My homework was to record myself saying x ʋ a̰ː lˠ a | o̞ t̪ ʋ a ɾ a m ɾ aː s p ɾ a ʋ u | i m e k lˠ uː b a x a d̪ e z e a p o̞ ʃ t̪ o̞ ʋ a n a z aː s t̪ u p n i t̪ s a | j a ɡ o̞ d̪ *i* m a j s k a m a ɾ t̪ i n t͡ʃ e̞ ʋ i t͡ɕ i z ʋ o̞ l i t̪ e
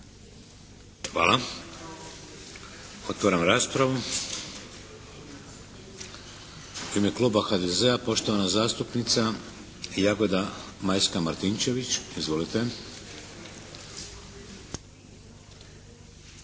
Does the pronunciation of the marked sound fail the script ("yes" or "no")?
yes